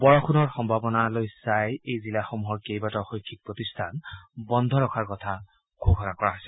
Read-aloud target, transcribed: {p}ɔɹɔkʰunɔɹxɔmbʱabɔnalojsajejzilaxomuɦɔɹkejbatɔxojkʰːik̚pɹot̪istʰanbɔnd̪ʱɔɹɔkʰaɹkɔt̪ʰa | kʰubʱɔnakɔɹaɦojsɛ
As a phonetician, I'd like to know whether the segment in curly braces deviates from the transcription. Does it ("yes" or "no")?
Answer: yes